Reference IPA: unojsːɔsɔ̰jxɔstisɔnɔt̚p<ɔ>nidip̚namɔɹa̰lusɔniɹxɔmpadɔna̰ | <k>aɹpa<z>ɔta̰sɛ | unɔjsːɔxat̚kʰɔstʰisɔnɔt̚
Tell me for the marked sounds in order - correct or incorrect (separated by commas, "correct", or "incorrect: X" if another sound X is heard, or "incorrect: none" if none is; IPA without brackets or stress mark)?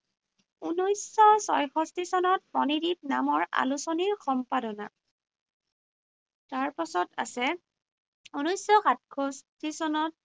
correct, incorrect: t, incorrect: s